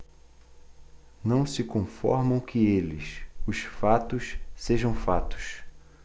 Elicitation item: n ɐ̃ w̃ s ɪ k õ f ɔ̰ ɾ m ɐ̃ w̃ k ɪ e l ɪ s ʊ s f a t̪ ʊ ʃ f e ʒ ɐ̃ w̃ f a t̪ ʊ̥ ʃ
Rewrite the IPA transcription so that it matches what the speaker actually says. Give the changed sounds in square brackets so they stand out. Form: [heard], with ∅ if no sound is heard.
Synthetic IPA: n ɐ̃ w̃ s ɪ k õ f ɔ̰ ɾ m ɐ̃ w̃ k ɪ e l ɪ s ʊ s f a t̪ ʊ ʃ [s] e ʒ ɐ̃ w̃ f a t̪ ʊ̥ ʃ